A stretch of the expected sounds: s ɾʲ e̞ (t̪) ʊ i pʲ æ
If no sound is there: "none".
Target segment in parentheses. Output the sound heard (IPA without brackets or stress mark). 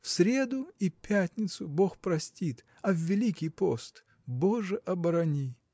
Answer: d̪